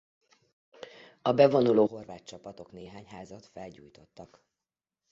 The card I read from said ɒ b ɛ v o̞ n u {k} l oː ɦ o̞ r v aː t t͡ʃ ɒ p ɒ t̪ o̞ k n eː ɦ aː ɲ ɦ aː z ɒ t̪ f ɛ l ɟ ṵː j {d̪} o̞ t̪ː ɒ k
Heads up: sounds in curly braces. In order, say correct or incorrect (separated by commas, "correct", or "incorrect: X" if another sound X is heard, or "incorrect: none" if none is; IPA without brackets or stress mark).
incorrect: none, incorrect: t̪